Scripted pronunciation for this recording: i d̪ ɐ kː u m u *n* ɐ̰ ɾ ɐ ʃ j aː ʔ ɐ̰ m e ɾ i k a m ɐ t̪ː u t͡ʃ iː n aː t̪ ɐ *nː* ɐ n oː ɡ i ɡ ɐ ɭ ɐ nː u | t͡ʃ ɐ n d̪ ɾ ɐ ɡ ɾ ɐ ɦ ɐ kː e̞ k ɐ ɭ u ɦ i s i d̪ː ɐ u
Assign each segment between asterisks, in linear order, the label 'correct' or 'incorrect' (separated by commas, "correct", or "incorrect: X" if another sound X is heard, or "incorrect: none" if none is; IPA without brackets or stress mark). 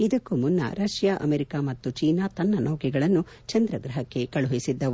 incorrect: nː, correct